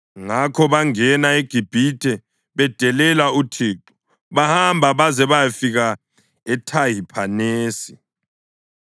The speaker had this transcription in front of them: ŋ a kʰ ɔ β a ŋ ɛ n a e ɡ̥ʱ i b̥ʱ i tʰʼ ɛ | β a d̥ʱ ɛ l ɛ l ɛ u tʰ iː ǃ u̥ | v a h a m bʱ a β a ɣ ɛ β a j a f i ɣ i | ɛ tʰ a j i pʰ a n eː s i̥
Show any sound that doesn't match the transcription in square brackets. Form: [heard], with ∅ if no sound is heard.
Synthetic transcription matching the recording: ŋ a kʰ ɔ β a ŋ ɛ n a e ɡ̥ʱ i b̥ʱ i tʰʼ ɛ | β [ɛ] d̥ʱ ɛ l ɛ l [a] u tʰ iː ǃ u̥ | [β] a h a m bʱ a β a [z] ɛ β a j a f i ɣ [a] | ɛ tʰ a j i pʰ a n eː s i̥